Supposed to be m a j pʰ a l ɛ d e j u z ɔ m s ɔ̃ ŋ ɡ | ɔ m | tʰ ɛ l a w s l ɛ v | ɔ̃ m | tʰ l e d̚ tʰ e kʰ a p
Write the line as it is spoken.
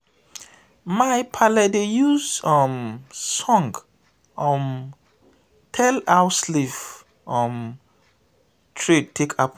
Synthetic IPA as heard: m a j pʰ a l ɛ d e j u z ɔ m s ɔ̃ ŋ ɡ | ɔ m | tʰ ɛ l a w s l i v | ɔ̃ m | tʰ ɹ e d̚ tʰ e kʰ a p